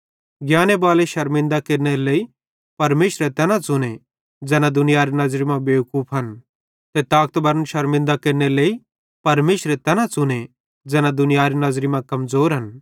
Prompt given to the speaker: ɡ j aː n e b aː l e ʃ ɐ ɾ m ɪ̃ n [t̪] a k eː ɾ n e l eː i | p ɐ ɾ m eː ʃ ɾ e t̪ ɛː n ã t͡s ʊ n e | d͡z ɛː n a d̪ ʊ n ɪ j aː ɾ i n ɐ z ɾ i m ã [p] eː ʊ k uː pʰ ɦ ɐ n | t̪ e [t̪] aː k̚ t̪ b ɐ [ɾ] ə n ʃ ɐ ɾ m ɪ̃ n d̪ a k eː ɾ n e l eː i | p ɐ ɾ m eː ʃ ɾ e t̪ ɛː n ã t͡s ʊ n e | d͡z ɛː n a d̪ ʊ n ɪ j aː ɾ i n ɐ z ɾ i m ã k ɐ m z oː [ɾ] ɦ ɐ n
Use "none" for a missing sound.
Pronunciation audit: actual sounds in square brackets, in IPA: d̪, b, t̪, ɾ, ɾ

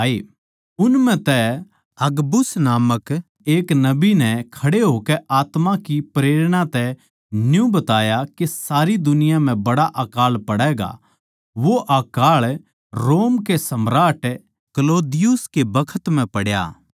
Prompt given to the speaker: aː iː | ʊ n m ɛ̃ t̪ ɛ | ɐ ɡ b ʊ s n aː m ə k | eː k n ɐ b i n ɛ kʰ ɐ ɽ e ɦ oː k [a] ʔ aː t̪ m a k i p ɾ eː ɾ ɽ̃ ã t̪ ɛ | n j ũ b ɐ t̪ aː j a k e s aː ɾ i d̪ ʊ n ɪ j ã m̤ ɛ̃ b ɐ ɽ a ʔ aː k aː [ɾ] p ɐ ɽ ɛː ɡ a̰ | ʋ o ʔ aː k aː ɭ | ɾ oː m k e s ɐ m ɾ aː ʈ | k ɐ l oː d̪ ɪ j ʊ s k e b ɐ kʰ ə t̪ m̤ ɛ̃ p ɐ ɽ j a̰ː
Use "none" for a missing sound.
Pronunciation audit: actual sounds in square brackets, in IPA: ɛ, l

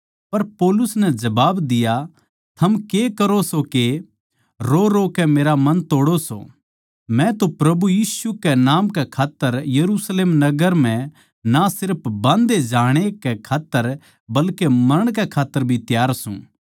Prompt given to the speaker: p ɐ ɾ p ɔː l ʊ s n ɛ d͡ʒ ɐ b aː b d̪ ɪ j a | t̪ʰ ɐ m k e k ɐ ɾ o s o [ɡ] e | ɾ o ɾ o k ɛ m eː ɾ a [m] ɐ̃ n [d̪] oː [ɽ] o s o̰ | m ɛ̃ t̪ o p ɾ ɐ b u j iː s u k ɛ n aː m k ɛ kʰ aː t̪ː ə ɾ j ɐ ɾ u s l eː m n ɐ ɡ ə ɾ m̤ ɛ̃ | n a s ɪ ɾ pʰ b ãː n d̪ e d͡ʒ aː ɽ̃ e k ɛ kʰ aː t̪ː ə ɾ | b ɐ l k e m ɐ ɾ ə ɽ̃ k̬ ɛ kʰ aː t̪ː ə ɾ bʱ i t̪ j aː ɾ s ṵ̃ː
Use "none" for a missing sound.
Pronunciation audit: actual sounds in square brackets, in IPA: k, m, t̪, ɽ

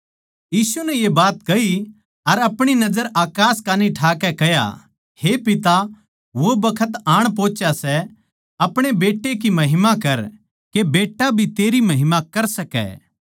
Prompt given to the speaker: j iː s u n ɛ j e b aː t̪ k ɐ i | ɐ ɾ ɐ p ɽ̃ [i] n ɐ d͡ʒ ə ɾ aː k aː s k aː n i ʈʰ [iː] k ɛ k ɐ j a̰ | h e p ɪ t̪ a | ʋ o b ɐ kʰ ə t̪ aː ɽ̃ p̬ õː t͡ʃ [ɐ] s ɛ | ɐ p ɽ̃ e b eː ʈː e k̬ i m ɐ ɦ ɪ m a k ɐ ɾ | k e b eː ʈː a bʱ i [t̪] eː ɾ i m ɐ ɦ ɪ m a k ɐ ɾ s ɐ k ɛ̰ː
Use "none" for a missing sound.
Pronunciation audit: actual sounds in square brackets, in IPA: i, aː, a, t̪

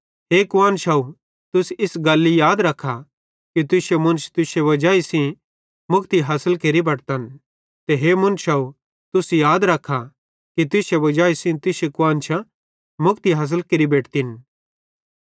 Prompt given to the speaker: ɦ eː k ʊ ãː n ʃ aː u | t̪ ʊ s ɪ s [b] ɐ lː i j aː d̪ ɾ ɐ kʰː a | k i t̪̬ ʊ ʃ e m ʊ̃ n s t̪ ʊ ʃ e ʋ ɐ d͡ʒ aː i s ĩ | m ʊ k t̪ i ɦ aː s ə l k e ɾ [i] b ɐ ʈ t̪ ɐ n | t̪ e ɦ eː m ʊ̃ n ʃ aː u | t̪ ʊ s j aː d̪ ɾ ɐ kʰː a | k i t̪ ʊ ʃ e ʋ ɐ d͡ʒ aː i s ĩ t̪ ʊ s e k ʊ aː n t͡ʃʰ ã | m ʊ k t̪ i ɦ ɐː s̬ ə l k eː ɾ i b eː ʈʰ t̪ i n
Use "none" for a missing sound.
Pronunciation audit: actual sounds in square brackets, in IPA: ɡ, i

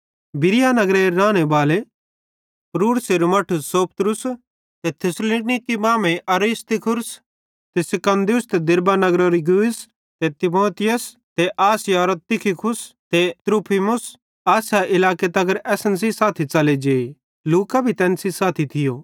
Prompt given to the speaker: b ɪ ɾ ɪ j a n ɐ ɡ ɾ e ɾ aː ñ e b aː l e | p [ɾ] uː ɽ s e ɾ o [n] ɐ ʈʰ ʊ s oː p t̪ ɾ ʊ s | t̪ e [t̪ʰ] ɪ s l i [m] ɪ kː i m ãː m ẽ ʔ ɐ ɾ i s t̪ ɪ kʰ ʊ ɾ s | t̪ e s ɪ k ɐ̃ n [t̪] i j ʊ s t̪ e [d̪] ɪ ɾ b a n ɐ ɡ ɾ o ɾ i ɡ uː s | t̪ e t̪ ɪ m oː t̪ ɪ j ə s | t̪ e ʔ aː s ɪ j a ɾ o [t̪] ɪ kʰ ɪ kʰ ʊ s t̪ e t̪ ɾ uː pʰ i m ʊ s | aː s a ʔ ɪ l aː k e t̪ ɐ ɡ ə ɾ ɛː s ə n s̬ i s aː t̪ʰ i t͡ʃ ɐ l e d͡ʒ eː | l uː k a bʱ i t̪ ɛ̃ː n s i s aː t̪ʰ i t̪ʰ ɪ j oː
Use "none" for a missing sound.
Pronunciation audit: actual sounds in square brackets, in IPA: ɾ, m, t̪ʰ, n, d̪, d̪, t̪

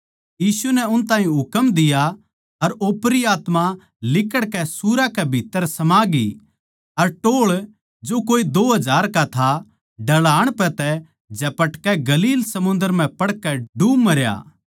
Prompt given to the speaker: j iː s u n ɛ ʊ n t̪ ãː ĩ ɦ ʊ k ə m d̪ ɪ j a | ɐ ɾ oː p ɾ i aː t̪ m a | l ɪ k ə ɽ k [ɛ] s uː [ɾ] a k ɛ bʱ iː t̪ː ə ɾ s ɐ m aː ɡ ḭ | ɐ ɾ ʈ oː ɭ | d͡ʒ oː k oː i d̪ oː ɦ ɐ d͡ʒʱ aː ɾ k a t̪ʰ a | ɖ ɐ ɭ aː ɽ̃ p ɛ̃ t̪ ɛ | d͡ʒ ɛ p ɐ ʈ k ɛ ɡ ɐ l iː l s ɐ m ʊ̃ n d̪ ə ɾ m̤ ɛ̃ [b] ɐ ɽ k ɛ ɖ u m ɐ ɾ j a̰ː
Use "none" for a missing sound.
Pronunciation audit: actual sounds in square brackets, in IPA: ɛ, ɾ, p

